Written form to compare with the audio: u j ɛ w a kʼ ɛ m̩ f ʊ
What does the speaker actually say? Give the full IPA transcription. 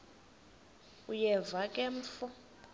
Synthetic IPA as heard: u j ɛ v a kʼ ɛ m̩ f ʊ